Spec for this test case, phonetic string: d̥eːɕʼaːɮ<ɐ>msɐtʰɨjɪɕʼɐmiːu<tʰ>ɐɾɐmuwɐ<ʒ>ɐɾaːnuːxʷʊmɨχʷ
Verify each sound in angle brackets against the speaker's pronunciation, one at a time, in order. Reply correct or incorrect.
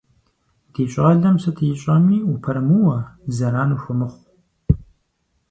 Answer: correct, incorrect, incorrect

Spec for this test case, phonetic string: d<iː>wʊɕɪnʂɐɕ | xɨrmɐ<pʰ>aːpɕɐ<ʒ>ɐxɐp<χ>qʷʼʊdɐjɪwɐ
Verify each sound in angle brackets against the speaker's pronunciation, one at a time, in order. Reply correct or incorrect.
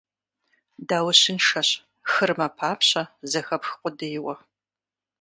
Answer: incorrect, correct, incorrect, incorrect

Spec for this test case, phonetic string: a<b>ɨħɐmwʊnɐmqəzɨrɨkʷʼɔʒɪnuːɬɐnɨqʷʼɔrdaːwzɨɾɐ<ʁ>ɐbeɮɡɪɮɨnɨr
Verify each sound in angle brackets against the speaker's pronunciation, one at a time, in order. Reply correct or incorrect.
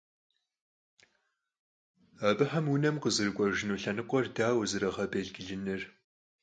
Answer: correct, correct

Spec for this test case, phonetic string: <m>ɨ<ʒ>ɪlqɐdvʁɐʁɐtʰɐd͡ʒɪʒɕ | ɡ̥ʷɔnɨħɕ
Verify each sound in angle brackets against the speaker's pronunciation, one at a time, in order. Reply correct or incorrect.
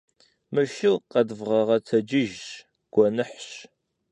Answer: correct, incorrect

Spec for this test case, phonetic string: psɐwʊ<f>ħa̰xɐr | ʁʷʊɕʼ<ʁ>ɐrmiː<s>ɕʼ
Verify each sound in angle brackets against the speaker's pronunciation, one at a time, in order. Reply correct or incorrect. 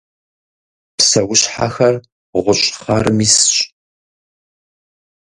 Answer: incorrect, incorrect, correct

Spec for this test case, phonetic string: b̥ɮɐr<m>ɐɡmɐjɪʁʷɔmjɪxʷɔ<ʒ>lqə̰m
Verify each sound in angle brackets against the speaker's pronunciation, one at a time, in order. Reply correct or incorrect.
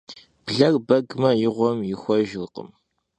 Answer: incorrect, correct

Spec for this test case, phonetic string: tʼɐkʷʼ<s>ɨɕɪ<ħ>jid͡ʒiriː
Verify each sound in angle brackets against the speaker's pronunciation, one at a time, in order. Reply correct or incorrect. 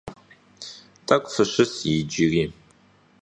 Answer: incorrect, incorrect

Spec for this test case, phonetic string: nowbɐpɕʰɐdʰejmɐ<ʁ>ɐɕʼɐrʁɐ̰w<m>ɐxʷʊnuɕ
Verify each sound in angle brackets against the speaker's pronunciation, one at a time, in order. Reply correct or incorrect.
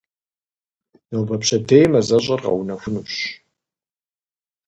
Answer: incorrect, incorrect

